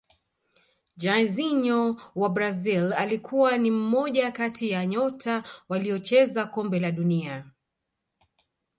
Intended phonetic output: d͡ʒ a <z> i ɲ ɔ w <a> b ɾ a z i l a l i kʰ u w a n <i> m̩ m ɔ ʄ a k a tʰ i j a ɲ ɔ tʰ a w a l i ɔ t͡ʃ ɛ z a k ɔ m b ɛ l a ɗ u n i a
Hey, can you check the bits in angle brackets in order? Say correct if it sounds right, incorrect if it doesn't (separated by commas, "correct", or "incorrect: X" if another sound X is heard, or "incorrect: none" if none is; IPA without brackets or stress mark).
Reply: correct, correct, correct